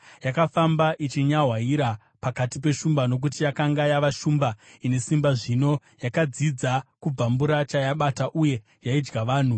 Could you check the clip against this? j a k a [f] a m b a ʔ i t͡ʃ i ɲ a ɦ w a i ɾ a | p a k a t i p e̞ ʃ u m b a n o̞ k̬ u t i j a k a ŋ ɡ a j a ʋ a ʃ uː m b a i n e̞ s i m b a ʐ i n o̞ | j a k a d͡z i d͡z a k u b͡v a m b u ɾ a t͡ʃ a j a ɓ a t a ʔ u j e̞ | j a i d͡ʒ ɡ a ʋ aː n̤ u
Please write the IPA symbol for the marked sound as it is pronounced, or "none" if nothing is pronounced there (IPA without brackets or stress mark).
f